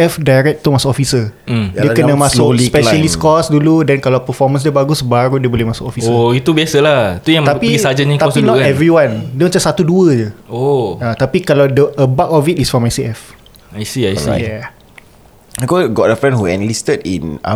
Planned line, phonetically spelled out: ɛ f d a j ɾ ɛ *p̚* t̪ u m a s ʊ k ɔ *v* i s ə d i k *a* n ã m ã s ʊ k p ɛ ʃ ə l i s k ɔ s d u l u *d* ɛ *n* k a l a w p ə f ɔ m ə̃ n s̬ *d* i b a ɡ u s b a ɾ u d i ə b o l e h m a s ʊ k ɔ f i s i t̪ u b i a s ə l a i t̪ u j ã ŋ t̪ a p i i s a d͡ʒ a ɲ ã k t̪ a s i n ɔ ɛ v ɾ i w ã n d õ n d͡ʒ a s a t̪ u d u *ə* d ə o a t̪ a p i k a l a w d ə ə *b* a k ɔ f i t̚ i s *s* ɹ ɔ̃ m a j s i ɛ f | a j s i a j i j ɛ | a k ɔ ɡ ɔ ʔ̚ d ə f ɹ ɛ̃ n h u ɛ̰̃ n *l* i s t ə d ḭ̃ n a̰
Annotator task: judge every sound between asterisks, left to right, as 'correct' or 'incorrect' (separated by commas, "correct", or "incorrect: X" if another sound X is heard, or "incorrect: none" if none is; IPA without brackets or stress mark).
incorrect: k̚, incorrect: f, incorrect: ə, correct, correct, correct, correct, correct, incorrect: f, correct